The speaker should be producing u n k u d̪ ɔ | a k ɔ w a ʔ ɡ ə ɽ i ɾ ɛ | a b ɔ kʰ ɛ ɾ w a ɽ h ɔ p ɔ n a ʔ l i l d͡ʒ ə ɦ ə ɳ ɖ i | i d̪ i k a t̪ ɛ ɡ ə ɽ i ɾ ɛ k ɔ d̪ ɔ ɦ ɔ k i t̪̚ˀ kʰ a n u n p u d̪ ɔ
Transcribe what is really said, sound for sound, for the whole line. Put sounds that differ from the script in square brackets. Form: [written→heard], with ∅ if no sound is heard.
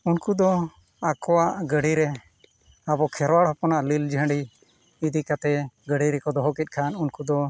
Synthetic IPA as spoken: u n k u d̪ ɔ | a k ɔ w a ʔ ɡ ə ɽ i ɾ ɛ | a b ɔ kʰ ɛ ɾ w a ɽ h ɔ p ɔ n a ʔ l i l d͡ʒ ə ɦ ə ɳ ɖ i | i d̪ i k a t̪ ɛ ɡ ə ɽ i ɾ ɛ k ɔ d̪ ɔ ɦ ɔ k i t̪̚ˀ kʰ a n u n [p→k] u d̪ ɔ

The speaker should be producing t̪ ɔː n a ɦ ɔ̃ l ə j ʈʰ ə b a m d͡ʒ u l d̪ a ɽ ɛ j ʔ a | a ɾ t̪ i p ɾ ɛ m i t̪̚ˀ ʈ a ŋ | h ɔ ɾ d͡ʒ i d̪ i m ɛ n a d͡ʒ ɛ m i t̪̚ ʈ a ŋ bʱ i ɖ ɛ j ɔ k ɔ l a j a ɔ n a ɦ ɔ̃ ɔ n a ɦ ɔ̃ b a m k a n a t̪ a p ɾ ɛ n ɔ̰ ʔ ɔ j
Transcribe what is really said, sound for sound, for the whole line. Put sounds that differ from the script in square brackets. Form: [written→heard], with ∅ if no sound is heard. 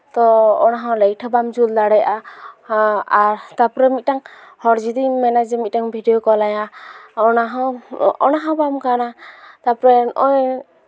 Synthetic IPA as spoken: t̪ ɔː n a ɦ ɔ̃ l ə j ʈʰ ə b a m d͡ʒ u l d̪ a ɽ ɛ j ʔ a | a ɾ t̪ [i→a] p ɾ ɛ m i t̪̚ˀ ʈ a ŋ | h ɔ ɾ d͡ʒ i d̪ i m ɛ n a d͡ʒ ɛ m i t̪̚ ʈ a ŋ bʱ i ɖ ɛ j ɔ k ɔ l a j a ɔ n a ɦ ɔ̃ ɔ n a ɦ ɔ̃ b a m k a n a t̪ a p ɾ ɛ n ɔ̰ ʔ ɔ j

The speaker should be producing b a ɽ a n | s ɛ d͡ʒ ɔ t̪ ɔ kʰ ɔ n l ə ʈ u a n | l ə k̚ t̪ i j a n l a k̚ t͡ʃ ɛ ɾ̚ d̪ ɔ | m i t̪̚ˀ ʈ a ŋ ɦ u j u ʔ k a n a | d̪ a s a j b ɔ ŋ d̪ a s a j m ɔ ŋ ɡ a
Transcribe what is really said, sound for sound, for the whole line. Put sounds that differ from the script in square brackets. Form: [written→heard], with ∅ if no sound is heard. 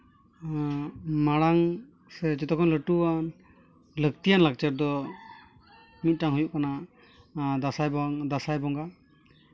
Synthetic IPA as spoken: [b→m] a ɽ a [n→ŋ] | s ɛ d͡ʒ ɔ t̪ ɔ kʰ ɔ n l ə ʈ u a n | l ə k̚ t̪ i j a n l a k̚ t͡ʃ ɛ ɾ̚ d̪ ɔ | m i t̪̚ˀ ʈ a ŋ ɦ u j u ʔ k a n a | d̪ a s a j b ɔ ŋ d̪ a s a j [m→b] ɔ ŋ ɡ a

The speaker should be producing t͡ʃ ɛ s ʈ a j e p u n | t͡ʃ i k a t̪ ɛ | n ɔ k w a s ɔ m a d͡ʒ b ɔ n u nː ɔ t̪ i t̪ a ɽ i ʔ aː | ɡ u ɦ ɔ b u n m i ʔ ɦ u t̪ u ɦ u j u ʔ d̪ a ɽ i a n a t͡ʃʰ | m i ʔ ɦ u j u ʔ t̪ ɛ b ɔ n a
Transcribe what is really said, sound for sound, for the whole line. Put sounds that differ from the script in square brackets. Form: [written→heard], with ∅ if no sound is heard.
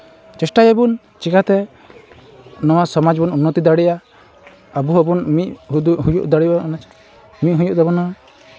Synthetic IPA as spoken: t͡ʃ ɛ s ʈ a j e [p→b] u n | t͡ʃ i k a t̪ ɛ | n ɔ [k→∅] w a s ɔ m a d͡ʒ b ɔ n u nː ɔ t̪ i [t̪→d̪] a ɽ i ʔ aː | [ɡ→b] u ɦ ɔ b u n m i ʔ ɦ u [t̪→d̪] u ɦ u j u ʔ d̪ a ɽ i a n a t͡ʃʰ | m i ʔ ɦ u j u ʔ [t̪→d̪] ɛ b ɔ n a

